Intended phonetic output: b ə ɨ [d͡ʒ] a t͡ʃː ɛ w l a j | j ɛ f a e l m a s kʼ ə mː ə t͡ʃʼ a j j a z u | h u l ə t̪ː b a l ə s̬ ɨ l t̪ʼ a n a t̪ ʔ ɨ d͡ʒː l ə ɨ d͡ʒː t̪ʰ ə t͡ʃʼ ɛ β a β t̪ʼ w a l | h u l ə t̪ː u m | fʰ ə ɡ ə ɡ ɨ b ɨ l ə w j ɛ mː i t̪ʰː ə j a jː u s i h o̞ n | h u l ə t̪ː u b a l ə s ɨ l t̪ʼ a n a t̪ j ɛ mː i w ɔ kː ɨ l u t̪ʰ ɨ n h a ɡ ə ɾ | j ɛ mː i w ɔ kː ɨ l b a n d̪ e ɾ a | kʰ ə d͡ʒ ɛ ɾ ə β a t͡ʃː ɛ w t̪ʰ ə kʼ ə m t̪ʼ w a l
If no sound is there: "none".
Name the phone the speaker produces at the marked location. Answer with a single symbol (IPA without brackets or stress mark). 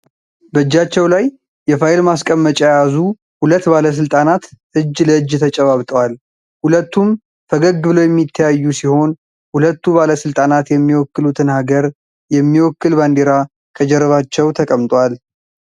d͡ʒː